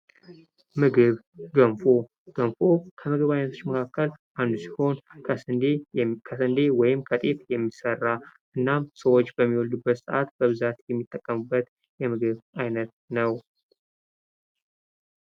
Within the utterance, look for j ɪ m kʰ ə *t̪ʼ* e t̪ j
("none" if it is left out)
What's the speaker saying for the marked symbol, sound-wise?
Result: t̪ʼ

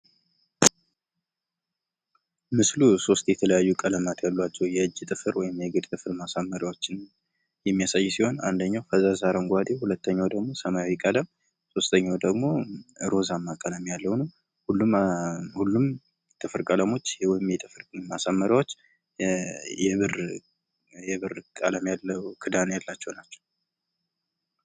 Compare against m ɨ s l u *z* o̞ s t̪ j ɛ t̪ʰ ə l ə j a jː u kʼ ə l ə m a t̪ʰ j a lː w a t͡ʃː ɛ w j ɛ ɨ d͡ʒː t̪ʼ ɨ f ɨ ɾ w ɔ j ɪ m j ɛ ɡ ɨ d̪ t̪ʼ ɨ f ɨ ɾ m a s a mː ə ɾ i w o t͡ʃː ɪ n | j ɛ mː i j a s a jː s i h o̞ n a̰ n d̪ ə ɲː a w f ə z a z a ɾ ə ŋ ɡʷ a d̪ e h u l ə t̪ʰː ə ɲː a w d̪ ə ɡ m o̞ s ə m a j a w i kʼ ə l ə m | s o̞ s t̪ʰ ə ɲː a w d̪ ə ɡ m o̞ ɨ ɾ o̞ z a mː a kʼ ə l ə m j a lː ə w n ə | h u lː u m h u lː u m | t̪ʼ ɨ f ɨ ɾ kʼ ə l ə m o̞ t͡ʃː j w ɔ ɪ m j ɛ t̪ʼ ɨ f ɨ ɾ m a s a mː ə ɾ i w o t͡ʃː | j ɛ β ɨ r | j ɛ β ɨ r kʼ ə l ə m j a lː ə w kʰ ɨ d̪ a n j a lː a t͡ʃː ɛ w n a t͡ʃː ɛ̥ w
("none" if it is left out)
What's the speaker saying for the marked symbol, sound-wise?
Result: s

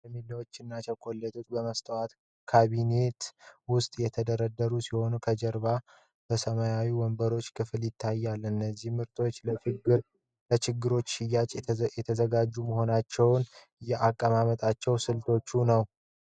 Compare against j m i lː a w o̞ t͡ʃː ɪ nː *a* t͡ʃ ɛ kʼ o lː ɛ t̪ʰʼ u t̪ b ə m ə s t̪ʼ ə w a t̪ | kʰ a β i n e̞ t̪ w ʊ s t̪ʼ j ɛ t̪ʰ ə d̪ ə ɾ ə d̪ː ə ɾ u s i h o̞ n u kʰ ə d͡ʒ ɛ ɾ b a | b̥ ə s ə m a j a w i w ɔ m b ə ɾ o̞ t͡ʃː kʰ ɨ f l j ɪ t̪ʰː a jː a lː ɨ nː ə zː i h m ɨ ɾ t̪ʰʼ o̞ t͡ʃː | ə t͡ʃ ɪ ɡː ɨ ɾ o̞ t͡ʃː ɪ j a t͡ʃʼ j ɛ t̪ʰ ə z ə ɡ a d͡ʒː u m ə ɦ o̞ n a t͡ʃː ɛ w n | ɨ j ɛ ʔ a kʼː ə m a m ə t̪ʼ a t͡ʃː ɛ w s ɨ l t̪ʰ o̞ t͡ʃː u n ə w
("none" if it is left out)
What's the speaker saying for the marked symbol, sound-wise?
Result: a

